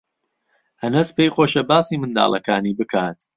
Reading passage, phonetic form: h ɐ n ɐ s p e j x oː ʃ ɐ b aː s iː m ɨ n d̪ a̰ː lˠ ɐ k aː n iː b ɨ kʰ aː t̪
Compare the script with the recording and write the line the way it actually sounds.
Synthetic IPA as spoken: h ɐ n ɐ s p e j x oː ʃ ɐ b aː s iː m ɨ n d̪ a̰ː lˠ ɐ k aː n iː b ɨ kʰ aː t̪

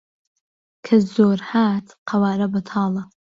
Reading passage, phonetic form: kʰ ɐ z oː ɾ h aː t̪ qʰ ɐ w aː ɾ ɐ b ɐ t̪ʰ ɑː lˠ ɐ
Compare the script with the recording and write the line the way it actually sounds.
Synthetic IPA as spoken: kʰ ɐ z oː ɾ h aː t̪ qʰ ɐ w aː ɾ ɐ b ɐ t̪ʰ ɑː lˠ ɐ

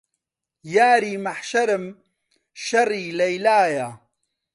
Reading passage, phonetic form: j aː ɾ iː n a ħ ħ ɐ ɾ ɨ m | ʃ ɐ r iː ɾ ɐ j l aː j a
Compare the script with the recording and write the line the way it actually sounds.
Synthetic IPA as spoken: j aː ɾ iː m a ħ ʃ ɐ ɾ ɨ m | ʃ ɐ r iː l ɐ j l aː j a

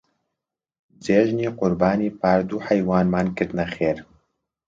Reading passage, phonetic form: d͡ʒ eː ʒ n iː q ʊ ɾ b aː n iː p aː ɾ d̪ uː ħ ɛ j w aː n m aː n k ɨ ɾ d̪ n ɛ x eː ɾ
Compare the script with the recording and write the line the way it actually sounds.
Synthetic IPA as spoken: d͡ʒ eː ʒ n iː q ʊ ɾ b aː n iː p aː ɾ d̪ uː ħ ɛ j w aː n m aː n k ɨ ɾ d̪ n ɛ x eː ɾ

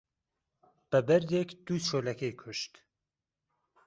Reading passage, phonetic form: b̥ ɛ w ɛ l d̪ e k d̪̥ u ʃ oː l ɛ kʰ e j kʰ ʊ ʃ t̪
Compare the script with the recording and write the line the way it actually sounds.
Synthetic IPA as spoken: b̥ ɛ b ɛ ɾ d̪ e k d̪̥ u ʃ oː l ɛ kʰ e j kʰ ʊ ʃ t̪

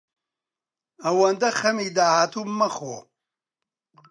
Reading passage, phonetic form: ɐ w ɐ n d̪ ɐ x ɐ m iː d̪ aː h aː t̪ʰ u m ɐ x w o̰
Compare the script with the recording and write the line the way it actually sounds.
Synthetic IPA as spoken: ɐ w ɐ n d̪ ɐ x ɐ m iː d̪ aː h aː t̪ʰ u m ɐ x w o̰

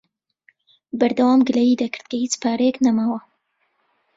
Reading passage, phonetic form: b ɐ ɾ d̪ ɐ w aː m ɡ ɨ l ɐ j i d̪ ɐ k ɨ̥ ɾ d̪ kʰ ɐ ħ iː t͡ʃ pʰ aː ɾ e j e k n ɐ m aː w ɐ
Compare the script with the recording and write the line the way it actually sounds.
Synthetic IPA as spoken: b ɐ ɾ d̪ ɐ w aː m ɡ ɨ l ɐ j i d̪ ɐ k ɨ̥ ɾ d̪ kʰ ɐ h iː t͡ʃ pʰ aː ɾ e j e k n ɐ m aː w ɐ

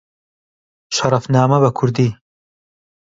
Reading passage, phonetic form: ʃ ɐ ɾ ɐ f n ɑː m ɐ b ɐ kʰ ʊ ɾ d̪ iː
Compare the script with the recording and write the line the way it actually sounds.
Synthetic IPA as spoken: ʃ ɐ ɾ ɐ f n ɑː m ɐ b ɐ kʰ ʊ ɾ d̪ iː

